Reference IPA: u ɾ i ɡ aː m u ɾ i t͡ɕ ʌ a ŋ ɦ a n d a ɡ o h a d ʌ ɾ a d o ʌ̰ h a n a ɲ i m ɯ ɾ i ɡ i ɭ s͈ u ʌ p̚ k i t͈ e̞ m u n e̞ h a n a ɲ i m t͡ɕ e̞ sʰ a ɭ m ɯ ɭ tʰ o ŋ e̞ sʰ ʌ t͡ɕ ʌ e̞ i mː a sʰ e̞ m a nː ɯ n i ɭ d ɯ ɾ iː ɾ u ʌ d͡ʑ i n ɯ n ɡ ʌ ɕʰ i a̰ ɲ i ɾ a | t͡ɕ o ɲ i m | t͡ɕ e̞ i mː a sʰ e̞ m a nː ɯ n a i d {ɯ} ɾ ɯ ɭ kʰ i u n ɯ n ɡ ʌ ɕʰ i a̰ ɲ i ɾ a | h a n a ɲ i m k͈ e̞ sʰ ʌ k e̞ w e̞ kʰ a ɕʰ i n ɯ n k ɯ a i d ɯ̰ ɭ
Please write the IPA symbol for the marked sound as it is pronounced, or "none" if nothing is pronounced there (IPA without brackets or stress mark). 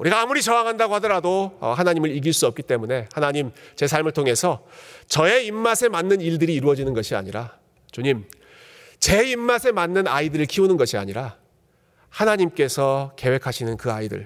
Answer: ɯ